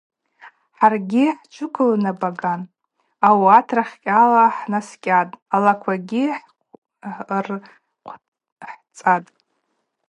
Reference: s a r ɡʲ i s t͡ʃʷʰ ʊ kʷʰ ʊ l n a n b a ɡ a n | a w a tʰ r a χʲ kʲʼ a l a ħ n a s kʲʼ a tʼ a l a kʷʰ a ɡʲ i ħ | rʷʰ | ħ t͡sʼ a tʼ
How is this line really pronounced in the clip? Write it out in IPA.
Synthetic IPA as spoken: ħ a r ɡʲ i ħ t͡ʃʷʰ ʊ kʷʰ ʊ l n a b a ɡ a n | a w a tʰ r a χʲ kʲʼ a l a ħ n a s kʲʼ a tʼ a l a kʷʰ a ɡʲ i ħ | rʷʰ | ħ t͡sʼ a tʼ